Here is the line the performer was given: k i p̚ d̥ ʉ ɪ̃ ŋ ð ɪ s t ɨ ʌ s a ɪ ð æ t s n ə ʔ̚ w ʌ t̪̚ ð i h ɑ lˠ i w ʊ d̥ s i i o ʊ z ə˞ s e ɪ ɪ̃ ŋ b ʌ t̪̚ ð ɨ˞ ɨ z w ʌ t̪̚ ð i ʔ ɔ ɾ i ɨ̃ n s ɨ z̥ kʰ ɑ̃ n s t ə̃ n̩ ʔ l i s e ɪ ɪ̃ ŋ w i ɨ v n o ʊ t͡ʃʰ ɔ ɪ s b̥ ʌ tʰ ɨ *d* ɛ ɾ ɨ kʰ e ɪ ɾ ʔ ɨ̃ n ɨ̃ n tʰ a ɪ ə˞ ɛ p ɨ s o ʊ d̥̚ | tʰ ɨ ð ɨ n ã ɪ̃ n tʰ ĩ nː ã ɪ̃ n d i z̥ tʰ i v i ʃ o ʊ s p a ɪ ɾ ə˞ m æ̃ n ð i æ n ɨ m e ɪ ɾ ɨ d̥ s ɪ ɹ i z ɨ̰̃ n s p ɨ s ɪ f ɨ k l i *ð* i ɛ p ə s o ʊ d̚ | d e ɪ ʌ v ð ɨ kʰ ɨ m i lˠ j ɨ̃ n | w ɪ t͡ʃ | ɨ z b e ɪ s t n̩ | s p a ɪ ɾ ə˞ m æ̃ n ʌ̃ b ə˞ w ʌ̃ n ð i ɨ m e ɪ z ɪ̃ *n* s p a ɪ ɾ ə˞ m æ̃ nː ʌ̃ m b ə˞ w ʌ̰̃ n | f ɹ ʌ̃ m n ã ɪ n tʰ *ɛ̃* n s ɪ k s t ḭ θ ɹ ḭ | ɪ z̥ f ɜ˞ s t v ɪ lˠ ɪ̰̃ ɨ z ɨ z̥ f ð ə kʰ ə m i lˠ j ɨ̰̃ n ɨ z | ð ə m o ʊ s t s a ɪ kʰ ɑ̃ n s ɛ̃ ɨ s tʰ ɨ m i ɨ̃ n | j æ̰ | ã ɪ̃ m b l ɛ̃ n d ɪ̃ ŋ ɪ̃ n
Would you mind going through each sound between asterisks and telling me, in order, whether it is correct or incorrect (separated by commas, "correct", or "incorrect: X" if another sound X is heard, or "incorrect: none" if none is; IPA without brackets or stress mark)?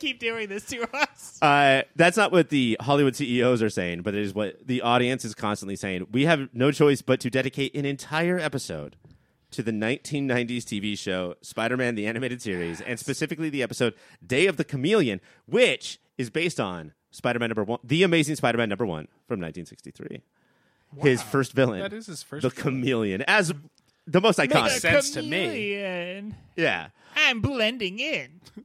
correct, correct, incorrect: ŋ, incorrect: ĩ